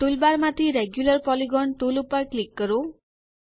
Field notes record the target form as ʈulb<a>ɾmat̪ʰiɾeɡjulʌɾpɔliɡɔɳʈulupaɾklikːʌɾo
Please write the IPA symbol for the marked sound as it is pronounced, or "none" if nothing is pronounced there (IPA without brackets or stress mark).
a